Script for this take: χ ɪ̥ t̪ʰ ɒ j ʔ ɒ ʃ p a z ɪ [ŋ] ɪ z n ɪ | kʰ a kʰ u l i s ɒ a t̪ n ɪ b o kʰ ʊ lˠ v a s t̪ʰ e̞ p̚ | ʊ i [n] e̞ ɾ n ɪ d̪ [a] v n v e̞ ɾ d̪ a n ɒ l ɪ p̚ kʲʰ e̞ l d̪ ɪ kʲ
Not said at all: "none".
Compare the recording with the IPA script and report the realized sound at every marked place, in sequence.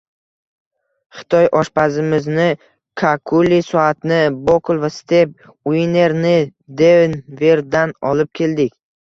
m, n, e

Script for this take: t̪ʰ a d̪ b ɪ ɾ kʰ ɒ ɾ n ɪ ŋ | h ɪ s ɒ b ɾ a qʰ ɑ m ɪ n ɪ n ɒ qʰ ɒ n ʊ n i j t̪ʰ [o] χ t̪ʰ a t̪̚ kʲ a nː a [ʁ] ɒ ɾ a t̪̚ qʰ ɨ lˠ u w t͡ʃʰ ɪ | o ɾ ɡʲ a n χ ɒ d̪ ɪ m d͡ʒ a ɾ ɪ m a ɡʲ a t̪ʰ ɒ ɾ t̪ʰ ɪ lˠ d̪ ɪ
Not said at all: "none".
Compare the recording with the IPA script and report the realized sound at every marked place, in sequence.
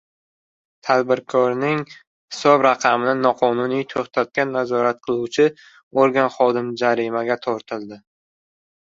o, z

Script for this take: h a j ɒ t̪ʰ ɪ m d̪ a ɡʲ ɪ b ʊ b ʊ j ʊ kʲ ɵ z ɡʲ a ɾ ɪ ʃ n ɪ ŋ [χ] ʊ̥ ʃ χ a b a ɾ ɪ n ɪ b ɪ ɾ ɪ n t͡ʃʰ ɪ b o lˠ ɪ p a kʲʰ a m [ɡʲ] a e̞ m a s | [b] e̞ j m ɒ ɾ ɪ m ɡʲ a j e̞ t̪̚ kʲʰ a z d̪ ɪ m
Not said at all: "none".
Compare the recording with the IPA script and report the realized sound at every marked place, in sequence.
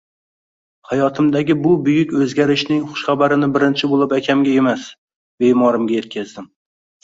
χ, ɡʲ, b

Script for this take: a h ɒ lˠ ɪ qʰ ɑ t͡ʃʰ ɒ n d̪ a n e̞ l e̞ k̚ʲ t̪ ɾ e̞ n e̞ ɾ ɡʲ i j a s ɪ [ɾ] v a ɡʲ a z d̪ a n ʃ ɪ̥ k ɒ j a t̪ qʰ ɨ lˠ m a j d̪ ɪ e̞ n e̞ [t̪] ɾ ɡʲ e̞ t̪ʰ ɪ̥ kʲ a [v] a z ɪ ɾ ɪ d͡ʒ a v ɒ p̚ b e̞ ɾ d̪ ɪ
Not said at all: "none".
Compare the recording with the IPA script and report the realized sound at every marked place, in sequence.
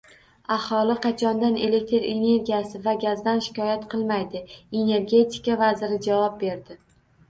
none, none, v

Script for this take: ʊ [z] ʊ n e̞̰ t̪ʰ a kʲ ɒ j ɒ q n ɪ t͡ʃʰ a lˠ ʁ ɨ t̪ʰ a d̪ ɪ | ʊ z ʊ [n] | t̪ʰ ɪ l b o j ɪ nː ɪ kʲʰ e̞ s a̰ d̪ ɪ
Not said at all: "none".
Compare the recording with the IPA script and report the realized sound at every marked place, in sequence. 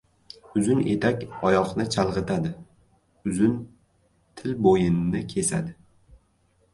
z, n

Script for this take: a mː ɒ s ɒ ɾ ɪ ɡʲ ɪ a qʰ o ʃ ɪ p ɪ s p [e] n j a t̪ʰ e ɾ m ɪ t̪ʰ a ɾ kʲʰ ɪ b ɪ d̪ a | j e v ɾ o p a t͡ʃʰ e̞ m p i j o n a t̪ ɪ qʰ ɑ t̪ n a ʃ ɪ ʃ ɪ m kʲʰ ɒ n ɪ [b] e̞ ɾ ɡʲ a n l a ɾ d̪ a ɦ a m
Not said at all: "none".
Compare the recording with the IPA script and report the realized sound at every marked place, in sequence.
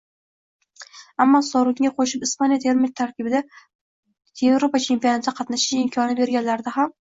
a, b

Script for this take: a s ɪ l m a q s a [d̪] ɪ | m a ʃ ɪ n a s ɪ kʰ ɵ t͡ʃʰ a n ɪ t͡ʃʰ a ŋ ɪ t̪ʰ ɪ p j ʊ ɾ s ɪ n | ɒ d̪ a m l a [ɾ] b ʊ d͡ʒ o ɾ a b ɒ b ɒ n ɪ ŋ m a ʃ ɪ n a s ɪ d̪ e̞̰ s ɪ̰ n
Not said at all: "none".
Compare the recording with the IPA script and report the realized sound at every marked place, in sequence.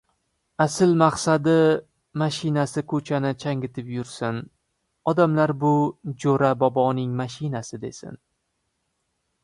d̪, ɾ

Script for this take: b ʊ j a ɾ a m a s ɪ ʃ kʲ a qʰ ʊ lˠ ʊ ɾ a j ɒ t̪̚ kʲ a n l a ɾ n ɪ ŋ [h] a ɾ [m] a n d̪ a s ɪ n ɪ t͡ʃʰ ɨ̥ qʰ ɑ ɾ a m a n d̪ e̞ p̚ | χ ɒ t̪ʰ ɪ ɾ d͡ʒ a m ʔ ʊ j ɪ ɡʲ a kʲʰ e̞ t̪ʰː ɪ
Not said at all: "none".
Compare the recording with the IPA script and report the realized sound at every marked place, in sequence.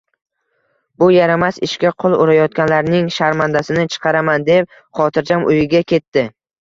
ʃ, m

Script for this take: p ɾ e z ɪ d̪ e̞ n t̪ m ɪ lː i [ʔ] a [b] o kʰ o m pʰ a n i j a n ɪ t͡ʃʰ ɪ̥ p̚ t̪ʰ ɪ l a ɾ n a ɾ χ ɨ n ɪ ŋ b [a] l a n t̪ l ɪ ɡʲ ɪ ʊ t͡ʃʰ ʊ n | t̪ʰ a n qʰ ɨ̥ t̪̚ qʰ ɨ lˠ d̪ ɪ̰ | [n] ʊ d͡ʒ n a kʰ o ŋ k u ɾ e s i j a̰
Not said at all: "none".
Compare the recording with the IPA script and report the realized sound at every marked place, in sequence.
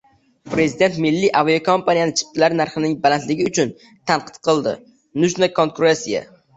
ʔ, v, a, n

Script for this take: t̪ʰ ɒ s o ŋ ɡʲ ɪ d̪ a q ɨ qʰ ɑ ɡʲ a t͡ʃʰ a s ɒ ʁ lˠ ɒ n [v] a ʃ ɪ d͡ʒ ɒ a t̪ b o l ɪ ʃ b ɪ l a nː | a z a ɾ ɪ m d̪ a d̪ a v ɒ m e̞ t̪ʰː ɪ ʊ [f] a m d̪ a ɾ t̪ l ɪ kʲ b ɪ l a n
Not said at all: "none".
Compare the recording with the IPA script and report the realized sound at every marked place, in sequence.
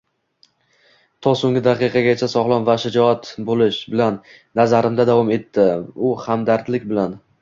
v, h

